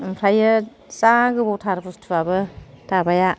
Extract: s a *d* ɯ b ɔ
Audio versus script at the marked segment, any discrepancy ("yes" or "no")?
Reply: yes